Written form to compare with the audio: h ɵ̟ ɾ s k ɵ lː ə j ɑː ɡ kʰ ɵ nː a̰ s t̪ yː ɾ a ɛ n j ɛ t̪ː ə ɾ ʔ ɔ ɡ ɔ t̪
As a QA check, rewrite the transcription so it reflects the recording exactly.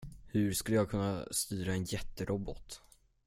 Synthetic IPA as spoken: h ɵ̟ ɾ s k ɵ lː ə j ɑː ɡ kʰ ɵ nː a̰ s t̪ yː ɾ a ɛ n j ɛ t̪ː ə ɾ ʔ ɔ b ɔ t̪

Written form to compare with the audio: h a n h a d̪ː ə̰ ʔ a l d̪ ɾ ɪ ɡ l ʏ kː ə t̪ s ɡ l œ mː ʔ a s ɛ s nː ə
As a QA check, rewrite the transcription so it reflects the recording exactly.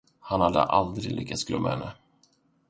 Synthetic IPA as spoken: h a n h a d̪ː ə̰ ʔ a l d̪ ɾ ɪ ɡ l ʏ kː a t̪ s ɡ l œ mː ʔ a h ɛ nː ə

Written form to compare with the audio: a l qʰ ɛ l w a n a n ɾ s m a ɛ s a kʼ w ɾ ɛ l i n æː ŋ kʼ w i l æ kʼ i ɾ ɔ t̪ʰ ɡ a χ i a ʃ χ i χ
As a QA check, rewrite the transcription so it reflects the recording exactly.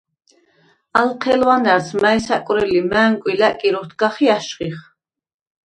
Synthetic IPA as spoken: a l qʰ ɛ l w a n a ɾ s m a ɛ s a kʼ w ɾ ɛ l i m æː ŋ kʼ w i l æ kʼ i ɾ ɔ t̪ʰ ɡ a χ i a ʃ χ i χ

